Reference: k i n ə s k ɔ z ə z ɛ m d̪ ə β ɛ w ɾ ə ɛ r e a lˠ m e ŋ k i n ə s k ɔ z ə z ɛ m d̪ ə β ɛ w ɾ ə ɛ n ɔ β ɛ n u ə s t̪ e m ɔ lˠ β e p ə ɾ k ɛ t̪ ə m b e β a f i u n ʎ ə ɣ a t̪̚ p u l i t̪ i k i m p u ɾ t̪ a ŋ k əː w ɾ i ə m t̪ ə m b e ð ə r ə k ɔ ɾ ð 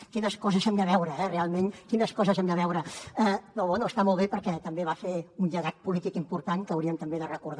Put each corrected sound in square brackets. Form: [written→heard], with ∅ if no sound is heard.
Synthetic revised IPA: k i n ə s k ɔ z ə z ɛ m d̪ ə β ɛ w ɾ ə ɛ r e a lˠ m e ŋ k i n ə s k ɔ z ə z ɛ m d̪ ə β ɛ w ɾ ə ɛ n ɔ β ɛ n u ə s t̪ [e→a] m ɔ lˠ β e p ə ɾ k ɛ t̪ ə m b e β a f [i→e] u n ʎ ə ɣ a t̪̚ p u l i t̪ i k i m p u ɾ t̪ a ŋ k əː w ɾ i ə m t̪ ə m b e ð ə r ə k [ɔ→u] ɾ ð